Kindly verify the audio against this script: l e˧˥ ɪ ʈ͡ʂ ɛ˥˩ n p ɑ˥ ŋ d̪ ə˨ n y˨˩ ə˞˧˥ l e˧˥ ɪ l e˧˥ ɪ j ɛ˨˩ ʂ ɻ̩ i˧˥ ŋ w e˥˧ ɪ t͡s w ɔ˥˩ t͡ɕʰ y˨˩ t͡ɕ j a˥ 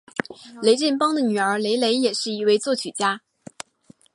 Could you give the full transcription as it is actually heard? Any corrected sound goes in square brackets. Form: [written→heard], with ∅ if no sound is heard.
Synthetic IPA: l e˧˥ ɪ ʈ͡ʂ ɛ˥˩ n p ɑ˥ ŋ d̪ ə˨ n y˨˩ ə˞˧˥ l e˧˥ ɪ l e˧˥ ɪ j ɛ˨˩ ʂ ɻ̩ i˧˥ [ŋ→∅] w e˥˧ ɪ t͡s w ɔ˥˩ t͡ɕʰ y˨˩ t͡ɕ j a˥